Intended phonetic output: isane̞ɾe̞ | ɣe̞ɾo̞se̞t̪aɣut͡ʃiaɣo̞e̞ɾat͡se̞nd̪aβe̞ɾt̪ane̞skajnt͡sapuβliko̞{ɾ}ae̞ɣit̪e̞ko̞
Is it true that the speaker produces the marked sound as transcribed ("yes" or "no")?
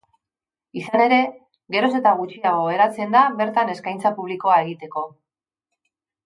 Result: no